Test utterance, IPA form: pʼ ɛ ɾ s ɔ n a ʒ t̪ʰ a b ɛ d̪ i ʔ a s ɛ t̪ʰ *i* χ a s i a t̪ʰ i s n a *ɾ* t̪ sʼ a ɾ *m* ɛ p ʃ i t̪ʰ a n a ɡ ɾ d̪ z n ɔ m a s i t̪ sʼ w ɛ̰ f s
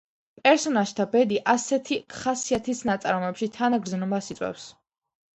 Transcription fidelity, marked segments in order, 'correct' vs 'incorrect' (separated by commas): correct, incorrect, correct